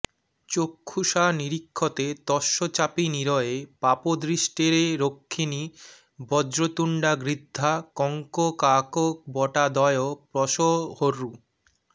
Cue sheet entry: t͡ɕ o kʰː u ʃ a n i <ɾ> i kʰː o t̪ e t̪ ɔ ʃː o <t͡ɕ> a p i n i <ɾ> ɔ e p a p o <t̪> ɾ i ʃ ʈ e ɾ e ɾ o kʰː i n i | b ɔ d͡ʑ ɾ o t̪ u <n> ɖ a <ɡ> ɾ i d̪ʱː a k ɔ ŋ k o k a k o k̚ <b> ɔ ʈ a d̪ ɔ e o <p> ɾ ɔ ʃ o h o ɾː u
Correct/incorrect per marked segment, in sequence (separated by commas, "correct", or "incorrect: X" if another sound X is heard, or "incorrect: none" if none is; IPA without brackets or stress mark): correct, correct, correct, incorrect: d̪, incorrect: ɳ, correct, correct, correct